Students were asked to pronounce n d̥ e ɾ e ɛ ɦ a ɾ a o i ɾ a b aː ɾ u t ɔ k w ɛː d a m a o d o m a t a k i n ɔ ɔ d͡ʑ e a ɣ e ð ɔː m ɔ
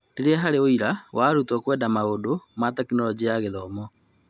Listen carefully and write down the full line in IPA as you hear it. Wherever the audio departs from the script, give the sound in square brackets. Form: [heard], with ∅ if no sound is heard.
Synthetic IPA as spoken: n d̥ e ɾ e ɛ ɦ a ɾ [e] o i ɾ a [w] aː ɾ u t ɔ k w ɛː d a m a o d o m a t a k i n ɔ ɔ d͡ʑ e a ɣ e ð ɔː m ɔ